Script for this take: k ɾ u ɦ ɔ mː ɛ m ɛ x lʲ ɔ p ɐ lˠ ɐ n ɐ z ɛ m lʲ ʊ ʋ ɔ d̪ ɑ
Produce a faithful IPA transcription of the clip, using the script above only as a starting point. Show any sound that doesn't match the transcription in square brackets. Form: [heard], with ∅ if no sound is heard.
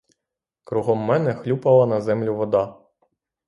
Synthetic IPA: k ɾ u ɦ ɔ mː ɛ [n] ɛ x lʲ [u] p ɐ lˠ ɐ n ɐ z ɛ m lʲ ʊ ʋ ɔ d̪ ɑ